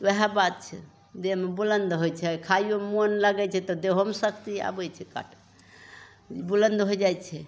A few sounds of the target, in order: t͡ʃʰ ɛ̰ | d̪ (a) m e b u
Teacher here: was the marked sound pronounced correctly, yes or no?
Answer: no